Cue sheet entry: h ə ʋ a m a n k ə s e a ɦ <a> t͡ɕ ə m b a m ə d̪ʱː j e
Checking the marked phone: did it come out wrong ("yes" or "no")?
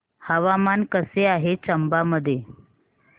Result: yes